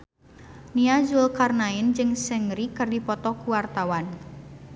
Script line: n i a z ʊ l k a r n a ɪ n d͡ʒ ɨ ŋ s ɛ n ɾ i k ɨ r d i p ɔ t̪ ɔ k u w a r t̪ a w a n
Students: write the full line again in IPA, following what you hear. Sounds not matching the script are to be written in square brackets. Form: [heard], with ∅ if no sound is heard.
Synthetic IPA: n i a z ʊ l k a r n a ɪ n d͡ʒ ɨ ŋ s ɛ [ŋ] ɾ i k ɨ r d i p ɔ t̪ ɔ k u w a r t̪ a w a n